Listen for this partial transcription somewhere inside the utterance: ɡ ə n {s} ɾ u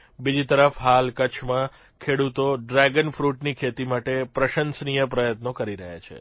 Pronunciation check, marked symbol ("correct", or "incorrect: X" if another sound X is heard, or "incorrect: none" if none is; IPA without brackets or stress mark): incorrect: f